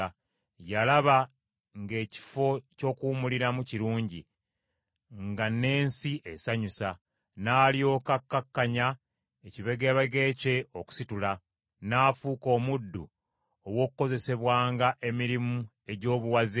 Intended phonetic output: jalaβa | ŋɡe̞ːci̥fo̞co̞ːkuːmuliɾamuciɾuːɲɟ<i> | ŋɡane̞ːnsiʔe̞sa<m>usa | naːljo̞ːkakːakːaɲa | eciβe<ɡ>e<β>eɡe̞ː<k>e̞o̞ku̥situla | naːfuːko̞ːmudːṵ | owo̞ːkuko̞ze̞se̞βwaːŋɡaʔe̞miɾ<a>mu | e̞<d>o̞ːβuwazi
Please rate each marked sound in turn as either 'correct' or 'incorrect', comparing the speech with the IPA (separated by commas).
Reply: correct, incorrect, correct, correct, incorrect, incorrect, incorrect